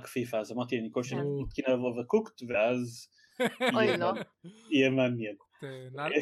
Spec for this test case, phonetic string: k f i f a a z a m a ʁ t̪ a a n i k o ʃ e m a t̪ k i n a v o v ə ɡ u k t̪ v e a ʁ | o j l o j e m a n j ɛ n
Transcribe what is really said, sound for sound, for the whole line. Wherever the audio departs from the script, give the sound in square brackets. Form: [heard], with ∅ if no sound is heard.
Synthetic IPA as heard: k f i f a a z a m a ʁ t̪ [i] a n i k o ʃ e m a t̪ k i n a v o v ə [k] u k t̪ v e a [z] | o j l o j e m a n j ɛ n